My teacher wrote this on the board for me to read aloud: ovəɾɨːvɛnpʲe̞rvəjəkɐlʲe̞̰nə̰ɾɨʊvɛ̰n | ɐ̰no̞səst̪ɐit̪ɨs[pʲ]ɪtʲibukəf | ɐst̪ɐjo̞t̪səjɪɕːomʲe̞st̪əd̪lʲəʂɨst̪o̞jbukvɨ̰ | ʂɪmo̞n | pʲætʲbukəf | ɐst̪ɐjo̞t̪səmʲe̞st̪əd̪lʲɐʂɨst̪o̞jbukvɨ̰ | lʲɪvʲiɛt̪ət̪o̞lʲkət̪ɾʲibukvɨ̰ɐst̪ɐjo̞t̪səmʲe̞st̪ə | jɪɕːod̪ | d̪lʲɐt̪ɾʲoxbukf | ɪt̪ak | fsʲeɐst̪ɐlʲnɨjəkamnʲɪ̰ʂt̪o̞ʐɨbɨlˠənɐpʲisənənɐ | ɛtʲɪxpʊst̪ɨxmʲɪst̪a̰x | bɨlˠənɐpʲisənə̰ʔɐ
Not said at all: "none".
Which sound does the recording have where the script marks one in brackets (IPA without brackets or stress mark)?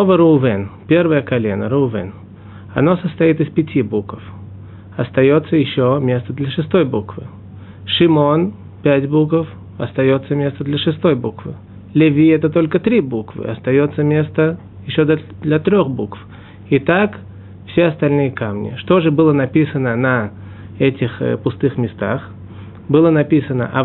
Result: pʲ